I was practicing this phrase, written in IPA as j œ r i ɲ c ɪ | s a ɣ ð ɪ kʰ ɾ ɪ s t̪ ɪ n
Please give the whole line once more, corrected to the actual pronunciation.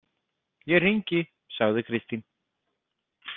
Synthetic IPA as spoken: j ɛ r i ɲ c ɪ | s a ɣ ð ɪ kʰ ɾ ɪ s t̪ i n

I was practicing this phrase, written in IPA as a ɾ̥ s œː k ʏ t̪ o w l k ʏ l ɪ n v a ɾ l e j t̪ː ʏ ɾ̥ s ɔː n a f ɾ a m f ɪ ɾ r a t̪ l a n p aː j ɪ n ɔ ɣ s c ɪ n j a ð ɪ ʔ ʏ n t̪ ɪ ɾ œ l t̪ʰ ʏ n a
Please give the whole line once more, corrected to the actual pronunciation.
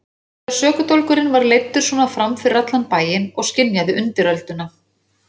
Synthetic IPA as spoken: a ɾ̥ s œː k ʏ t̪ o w l k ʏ ɾ ɪ n v a ɾ l e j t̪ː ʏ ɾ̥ s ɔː n a f ɾ a m f ɪ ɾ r a t̪ l a n p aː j ɪ n ɔ ɣ s c ɪ n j a ð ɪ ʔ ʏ n t̪ ɪ ɾ œ l t̪ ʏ n a

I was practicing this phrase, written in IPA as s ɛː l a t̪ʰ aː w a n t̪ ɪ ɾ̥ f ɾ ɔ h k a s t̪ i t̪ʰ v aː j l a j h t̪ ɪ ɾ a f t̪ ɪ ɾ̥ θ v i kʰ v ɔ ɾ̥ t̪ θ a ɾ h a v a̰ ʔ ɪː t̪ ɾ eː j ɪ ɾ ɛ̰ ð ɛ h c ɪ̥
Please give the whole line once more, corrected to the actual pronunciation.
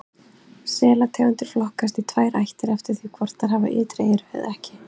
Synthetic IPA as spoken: s ɛː l a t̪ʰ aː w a n t̪ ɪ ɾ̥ f l ɔ h k a s t̪ i t̪ʰ v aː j ɾ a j h t̪ ɪ ɾ ɛ f t̪ ɪ ɾ̥ θ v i kʰ v ɔ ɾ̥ t̪ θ a ɾ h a v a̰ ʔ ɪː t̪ ɾ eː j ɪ ɾ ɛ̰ ð ɛ h c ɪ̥

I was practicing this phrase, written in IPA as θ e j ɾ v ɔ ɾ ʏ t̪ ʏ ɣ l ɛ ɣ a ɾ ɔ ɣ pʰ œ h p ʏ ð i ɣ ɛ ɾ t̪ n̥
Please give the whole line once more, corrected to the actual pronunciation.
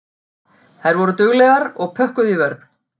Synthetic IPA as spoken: θ a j ɾ v ɔ ɾ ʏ t̪ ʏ ɣ l ɛ ɣ a ɾ ɔ ɣ pʰ œ h k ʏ ð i v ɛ ɾ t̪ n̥

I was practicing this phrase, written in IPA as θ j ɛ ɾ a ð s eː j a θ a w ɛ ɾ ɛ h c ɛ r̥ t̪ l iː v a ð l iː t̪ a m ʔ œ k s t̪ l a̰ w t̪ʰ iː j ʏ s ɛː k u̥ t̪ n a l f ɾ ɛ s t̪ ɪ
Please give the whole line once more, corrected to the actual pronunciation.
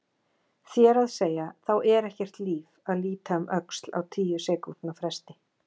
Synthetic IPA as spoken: θ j ɛ ɾ a ð s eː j a θ a w ɛ ɾ ɛ h c ɛ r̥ t̪ l iː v a ð l iː t̪ a m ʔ œ k s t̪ l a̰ w t̪ʰ iː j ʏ s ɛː k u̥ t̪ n a f ɾ ɛ s t̪ ɪ

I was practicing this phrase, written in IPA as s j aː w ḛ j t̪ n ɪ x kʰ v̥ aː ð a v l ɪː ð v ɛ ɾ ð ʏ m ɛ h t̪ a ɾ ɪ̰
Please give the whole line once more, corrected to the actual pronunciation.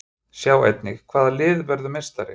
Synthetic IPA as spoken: s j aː w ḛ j t̪ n ɪ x kʰ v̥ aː ð a l ɪː ð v ɛ ɾ ð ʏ m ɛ s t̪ a ɾ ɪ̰

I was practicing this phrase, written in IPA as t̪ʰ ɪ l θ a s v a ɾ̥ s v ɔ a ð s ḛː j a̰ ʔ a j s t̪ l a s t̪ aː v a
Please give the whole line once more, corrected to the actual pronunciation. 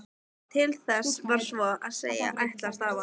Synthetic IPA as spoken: t̪ʰ ɪ l θ ɛ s v a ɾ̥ s v ɔ a ð s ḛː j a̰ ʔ a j h t̪ l a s t̪ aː v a

